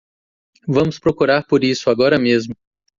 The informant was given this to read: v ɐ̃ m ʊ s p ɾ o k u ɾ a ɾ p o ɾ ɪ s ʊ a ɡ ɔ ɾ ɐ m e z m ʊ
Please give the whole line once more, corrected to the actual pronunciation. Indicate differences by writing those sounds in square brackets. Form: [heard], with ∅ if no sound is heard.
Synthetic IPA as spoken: v ɐ̃ m ʊ s p ɾ o k u ɾ a ɾ p o ɾ [i] s ʊ a ɡ ɔ ɾ ɐ m e z m ʊ